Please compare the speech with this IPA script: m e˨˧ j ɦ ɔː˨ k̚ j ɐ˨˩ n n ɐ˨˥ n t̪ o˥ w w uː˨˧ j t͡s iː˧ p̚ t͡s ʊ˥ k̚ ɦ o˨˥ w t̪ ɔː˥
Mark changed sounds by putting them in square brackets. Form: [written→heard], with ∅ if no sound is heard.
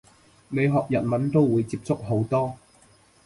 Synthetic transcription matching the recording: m e˨˧ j ɦ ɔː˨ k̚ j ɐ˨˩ n [n→m] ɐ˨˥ n t̪ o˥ w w uː˨˧ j t͡s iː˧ p̚ t͡s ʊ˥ k̚ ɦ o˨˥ w t̪ ɔː˥